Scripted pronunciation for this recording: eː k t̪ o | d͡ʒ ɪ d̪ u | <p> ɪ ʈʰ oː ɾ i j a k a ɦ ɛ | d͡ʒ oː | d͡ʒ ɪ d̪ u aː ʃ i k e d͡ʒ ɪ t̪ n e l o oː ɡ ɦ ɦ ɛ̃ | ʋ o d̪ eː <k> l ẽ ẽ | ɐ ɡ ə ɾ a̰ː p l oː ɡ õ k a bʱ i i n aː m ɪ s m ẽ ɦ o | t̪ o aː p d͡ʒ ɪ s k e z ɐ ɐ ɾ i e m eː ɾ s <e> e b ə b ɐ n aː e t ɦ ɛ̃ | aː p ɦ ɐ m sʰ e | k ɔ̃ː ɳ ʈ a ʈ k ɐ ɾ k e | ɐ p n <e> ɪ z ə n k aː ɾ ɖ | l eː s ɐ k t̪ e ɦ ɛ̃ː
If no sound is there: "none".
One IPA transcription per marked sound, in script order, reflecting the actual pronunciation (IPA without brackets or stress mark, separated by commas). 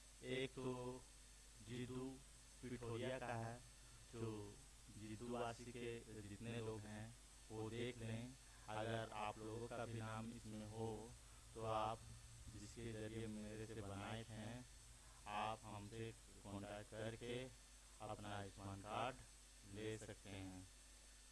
p, kʰ, e, a